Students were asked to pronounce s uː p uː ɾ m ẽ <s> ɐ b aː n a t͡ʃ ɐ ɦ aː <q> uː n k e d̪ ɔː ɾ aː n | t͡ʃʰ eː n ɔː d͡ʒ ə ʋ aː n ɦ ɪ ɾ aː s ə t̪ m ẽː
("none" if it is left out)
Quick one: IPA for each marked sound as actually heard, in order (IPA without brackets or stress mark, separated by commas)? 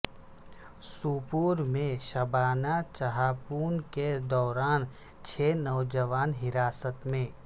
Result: ʃ, p